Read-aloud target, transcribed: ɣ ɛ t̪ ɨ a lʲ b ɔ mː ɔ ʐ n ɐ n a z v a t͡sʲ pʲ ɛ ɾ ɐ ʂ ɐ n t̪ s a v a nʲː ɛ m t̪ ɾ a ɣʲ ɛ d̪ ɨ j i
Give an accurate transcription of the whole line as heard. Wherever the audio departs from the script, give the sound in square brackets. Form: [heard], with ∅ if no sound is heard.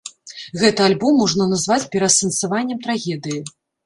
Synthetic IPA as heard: ɣ ɛ t̪ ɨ a lʲ b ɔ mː ɔ ʐ n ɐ n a z v a t͡sʲ pʲ ɛ ɾ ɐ [s] ɐ n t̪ s a v a nʲː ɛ m t̪ ɾ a ɣʲ ɛ d̪ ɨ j i